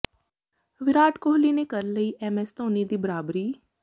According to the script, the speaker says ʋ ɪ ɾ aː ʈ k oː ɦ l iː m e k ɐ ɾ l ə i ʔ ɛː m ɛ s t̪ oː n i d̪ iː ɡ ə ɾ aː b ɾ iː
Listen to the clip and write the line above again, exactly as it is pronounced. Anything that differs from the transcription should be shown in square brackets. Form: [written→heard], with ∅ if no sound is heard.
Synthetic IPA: ʋ ɪ ɾ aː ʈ k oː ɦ l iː [m→n] e k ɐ ɾ l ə i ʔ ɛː m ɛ s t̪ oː n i d̪ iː [ɡ→b] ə ɾ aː b ɾ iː